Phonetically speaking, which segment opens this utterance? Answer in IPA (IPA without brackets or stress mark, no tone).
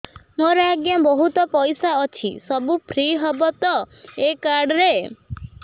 m